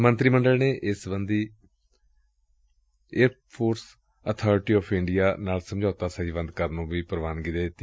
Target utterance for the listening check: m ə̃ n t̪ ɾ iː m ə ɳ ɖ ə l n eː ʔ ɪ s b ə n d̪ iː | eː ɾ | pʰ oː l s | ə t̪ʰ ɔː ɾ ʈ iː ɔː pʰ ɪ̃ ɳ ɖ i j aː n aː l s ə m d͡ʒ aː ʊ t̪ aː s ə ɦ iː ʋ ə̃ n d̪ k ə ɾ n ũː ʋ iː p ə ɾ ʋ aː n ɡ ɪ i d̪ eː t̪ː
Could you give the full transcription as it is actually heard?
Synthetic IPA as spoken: m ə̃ n t̪ ɾ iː m ə ɳ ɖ ə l n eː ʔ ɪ s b ə n d̪ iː | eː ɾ | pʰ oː ɾ s | ə t̪ʰ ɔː ɾ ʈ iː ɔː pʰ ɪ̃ ɳ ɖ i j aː n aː l s ə m d͡ʒ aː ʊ t̪ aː s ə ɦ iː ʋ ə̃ n d̪ k ə ɾ n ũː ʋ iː p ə ɾ ʋ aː n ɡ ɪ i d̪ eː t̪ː